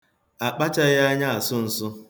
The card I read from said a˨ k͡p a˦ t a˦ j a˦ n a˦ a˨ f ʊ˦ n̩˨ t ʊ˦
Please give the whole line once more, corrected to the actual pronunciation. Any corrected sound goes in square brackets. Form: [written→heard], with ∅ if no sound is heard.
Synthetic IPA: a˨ k͡p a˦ [t→t͡ʃ] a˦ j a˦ [n→ɲ] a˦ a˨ [f→s] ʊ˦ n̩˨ [t→s] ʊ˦